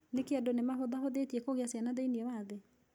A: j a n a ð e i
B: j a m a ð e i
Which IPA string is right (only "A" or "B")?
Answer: A